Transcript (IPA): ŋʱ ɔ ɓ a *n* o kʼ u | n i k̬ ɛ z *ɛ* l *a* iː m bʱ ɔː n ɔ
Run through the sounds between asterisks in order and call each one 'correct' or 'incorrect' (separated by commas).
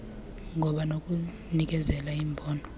correct, correct, correct